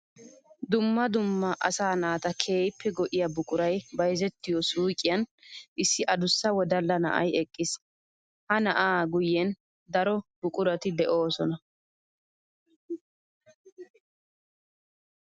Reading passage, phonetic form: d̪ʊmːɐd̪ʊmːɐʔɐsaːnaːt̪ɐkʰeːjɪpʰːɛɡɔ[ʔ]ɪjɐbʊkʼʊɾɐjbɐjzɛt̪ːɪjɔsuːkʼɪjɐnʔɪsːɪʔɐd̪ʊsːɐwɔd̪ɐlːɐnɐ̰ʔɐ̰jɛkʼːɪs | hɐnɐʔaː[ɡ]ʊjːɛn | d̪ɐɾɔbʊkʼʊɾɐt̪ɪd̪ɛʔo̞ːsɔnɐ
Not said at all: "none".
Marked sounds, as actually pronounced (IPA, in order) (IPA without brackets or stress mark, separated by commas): ʔ, ɡ